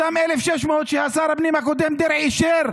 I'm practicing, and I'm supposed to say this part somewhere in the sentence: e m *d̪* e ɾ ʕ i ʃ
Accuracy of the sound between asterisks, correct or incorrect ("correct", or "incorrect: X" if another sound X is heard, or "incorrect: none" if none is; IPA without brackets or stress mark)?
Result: correct